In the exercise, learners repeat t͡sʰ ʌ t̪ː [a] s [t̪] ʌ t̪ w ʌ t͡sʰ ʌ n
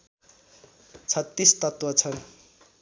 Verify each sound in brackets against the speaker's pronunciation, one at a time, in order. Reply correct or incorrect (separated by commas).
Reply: incorrect, correct